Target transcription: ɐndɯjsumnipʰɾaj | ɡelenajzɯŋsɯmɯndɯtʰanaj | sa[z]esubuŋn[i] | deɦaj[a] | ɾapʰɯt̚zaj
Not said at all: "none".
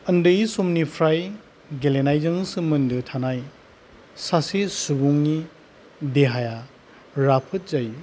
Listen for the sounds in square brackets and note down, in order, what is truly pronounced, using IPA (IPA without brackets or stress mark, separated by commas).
s, i, a